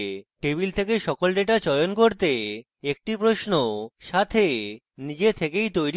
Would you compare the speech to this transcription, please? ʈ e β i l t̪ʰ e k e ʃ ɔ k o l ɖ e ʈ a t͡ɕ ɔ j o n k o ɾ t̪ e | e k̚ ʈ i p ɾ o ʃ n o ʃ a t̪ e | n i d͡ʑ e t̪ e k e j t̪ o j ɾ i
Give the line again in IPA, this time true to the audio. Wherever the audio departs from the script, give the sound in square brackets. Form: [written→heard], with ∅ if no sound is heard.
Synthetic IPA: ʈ e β i l t̪ʰ e k e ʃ ɔ k o l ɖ e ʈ a t͡ɕ ɔ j o n k o ɾ t̪ e | e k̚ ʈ i p ɾ o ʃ n o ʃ a [t̪→t̪ʰ] e | n i d͡ʑ e [t̪→t̪ʰ] e k e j t̪ o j ɾ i